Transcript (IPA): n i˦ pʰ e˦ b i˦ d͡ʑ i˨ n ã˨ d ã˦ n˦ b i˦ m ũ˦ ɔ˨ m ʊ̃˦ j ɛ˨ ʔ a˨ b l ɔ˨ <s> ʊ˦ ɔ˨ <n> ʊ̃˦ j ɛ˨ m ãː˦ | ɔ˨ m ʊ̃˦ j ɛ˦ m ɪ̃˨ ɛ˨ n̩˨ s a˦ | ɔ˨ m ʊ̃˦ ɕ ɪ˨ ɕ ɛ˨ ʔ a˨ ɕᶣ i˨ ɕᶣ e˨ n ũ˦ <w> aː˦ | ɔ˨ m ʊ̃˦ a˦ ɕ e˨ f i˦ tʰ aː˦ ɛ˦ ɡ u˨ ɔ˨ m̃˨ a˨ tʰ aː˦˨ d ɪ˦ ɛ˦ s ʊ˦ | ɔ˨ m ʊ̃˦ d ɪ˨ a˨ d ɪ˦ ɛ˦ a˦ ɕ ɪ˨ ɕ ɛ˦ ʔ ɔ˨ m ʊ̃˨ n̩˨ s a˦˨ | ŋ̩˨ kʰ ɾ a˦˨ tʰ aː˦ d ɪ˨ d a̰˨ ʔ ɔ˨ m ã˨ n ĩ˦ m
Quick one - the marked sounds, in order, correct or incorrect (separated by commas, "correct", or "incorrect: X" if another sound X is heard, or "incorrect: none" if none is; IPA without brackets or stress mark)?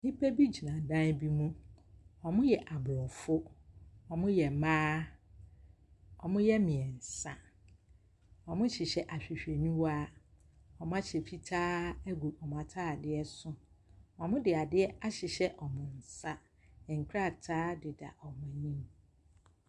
incorrect: f, incorrect: m, correct